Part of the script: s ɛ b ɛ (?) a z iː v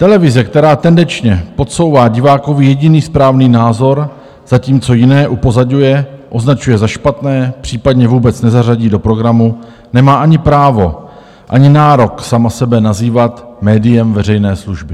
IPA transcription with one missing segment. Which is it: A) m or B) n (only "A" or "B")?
B